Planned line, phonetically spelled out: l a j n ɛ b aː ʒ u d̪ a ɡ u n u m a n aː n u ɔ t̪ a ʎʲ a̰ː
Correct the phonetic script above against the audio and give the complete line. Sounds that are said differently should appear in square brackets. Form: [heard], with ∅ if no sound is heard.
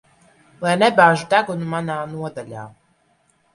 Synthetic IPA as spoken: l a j n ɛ b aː ʒ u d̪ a ɡ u n u m a n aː n u ɔ [d̪] a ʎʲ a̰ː